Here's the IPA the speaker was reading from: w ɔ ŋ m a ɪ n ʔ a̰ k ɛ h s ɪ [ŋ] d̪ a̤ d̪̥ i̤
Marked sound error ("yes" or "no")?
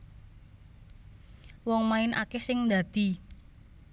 no